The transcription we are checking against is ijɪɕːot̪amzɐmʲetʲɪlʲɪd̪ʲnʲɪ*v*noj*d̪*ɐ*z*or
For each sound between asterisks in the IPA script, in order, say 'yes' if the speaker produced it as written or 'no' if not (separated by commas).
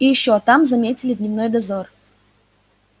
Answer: yes, yes, yes